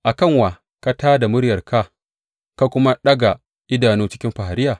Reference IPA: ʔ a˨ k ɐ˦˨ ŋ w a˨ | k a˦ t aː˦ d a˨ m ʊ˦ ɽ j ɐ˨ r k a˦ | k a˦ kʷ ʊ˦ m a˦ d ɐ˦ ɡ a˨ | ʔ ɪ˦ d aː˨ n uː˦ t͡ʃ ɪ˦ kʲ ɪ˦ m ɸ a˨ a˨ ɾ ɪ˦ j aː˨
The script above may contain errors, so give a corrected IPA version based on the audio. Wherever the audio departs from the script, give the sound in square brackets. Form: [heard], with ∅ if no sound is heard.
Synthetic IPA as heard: ʔ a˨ k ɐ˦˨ ŋ w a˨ | k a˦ t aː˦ d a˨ m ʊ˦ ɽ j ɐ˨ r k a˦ | k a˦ kʷ ʊ˦ m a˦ [ɗ] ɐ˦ ɡ a˨ | ʔ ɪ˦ d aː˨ n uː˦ t͡ʃ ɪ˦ kʲ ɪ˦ m ɸ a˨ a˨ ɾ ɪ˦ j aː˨